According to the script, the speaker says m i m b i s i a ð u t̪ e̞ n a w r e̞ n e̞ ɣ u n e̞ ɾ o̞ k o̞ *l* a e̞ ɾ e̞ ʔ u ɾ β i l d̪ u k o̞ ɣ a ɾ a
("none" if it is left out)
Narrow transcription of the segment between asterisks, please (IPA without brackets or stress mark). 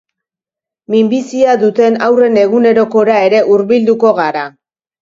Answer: ɾ